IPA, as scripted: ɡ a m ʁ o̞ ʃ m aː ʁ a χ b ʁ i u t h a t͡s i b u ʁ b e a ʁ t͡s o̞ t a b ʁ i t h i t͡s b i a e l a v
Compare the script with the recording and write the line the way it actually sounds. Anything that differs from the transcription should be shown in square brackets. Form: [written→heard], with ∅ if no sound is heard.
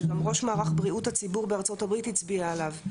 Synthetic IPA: ɡ a m ʁ o̞ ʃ m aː ʁ a χ b ʁ i u t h a t͡s i b u ʁ b e a ʁ t͡s o̞ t a b ʁ i t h i t͡s b i a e l a v